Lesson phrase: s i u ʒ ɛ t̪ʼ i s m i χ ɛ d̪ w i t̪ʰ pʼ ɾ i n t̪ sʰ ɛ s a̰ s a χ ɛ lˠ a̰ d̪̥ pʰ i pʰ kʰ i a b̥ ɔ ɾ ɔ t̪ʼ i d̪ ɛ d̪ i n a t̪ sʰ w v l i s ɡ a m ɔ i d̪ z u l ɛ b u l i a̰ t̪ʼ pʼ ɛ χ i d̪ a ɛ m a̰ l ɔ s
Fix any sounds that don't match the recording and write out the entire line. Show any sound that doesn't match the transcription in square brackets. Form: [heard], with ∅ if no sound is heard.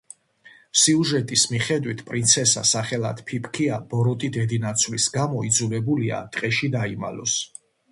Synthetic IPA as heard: s i u ʒ ɛ t̪ʼ i s m i χ ɛ d̪ w i t̪ʰ pʼ ɾ i n t̪ sʰ ɛ s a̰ s a χ ɛ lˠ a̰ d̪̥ pʰ i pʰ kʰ i a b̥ ɔ ɾ ɔ t̪ʼ i d̪ ɛ d̪ i n a t̪ sʰ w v l i s ɡ a m ɔ i d̪ z u l ɛ b u l i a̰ t̪ʼ [qʼ] ɛ [ʃ] i d̪ a [i] m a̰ l ɔ s

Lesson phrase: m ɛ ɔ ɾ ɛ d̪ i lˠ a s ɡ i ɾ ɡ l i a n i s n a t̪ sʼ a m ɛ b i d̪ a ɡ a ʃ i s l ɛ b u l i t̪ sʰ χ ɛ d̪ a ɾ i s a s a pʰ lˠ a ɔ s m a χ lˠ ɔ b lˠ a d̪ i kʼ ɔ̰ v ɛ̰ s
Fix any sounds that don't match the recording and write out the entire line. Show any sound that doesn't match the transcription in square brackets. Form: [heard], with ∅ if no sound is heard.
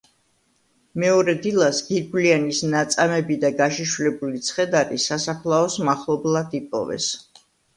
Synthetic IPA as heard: m ɛ ɔ ɾ ɛ d̪ i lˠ a s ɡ i ɾ ɡ l i a n i s n a t̪ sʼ a m ɛ b i d̪ a ɡ a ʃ i [ʃ] l ɛ b u l i t̪ sʰ χ ɛ d̪ a ɾ i s a s a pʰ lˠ a ɔ s m a χ lˠ ɔ b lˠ a d̪ i [pʼ] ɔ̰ v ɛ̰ s

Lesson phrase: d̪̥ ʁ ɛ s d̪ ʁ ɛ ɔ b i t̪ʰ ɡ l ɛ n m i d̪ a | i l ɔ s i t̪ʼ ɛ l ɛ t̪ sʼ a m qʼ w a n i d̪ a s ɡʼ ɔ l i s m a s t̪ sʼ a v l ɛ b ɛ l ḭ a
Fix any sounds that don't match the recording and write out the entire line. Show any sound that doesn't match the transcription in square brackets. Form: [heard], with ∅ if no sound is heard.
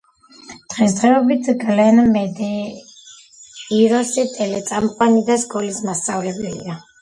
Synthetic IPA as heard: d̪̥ ʁ ɛ s d̪ ʁ ɛ ɔ b i t̪ʰ ɡ l ɛ n m [ɛ] d̪ [ɛ] | i [ɾ] ɔ s i t̪ʼ ɛ l ɛ t̪ sʼ a m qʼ w a n i d̪ a s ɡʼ ɔ l i s m a s t̪ sʼ a v l ɛ b ɛ l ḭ a

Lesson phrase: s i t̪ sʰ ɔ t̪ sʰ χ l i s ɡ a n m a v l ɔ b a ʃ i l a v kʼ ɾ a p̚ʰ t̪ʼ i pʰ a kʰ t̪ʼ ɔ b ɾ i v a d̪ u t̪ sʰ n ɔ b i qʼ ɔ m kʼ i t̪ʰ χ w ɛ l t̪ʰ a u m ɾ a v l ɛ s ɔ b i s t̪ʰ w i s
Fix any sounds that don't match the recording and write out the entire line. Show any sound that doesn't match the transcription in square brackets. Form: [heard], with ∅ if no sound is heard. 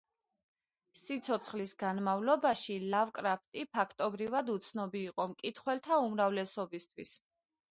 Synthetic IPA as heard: s i t̪ sʰ ɔ t̪ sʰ χ l i s ɡ a n m a v l ɔ b a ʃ i l a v kʼ ɾ a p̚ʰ t̪ʼ i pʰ a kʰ t̪ʼ ɔ b ɾ i v a d̪ u t̪ sʰ n ɔ b [iː] qʼ ɔ m kʼ i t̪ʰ χ w ɛ l t̪ʰ a u m ɾ a v l ɛ s ɔ b i s t̪ʰ w i s

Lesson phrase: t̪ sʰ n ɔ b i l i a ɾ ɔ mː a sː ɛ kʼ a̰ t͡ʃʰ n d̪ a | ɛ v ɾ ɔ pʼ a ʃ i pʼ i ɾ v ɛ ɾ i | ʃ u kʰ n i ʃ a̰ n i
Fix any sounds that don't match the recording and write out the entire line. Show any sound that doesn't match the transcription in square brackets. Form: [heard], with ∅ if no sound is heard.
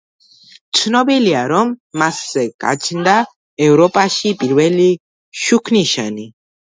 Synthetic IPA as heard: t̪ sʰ n ɔ b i l i a ɾ ɔ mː a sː ɛ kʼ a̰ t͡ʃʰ n d̪ a | ɛ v ɾ ɔ pʼ a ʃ i pʼ i ɾ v ɛ [l] i | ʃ u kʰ n i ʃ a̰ n i

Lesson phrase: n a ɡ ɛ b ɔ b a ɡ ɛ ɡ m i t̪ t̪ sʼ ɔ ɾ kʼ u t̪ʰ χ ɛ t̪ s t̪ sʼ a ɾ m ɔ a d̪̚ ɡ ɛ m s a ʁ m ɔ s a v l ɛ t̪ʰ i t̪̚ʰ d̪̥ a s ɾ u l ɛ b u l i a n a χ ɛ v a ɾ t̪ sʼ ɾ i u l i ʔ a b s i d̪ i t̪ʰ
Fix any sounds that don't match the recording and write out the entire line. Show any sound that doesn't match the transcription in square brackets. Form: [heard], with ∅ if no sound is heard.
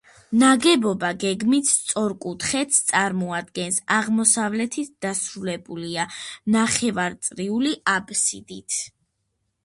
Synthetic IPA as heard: n a ɡ ɛ b ɔ b a ɡ ɛ ɡ m i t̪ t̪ sʼ ɔ ɾ kʼ u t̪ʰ χ ɛ t̪ s t̪ sʼ a ɾ m ɔ a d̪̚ ɡ ɛ [n] s a ʁ m ɔ s a v l ɛ t̪ʰ i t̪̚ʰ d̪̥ a s ɾ u l ɛ b u l i a n a χ ɛ v a ɾ t̪ sʼ ɾ i u l i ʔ a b s i d̪ i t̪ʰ

